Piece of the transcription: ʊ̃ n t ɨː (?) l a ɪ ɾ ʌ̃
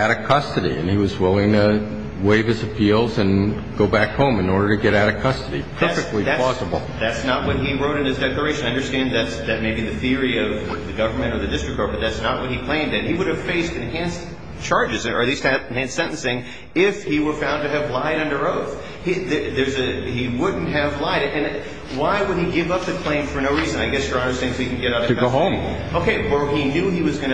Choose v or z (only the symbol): v